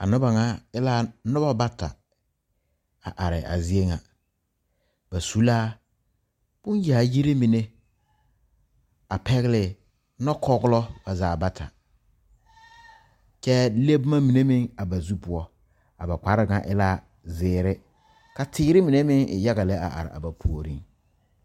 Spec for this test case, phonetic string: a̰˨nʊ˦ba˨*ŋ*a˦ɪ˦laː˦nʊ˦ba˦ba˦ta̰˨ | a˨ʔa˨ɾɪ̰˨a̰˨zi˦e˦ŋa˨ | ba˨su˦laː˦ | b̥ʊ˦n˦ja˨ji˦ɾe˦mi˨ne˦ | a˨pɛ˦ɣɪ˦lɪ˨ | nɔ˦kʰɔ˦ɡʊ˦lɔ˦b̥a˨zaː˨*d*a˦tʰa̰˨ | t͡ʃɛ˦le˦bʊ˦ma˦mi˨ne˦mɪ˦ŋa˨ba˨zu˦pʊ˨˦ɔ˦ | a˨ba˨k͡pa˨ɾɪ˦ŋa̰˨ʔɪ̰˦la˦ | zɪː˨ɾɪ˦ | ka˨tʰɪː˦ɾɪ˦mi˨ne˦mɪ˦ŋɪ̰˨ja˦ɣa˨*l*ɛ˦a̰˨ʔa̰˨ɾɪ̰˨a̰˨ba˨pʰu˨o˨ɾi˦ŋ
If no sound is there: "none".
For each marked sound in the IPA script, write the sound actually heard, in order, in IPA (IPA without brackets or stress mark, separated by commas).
ŋ, b, l